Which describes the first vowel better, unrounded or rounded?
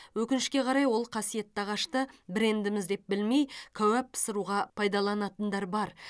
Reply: rounded